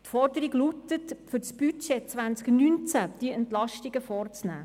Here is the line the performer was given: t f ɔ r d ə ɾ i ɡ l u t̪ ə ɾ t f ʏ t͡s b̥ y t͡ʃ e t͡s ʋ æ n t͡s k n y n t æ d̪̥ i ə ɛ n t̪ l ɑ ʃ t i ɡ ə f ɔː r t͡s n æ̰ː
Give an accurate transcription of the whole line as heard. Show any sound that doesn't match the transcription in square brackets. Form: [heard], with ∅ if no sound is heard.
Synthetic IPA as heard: t f ɔ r d ə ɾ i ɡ l u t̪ ə [∅] t f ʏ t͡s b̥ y t͡ʃ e t͡s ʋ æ n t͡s k n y n [t͡s] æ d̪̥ i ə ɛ n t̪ l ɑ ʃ t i ɡ ə f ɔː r t͡s n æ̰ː